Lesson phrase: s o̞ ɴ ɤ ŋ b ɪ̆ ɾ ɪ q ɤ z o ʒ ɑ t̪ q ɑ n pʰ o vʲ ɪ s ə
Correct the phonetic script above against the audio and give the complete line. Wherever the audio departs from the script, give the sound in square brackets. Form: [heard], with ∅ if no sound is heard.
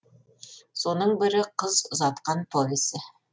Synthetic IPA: s o̞ [n] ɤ [ɴ] b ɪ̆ ɾ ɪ q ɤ z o [z] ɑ t̪ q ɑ n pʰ o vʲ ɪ s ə